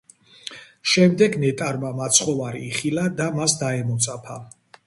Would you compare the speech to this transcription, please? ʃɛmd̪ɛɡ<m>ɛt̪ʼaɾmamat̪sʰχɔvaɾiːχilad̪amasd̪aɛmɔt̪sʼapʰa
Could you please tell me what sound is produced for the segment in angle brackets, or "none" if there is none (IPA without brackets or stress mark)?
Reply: n